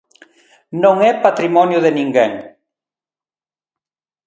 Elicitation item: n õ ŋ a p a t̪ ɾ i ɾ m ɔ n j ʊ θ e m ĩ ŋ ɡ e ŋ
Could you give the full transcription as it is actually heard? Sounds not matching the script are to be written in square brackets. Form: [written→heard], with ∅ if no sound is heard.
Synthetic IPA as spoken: n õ ŋ [a→ɛ] p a t̪ ɾ i [ɾ→∅] m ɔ n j ʊ [θ→ð] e [m→n] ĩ ŋ ɡ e ŋ